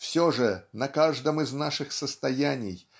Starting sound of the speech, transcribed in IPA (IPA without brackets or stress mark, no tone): f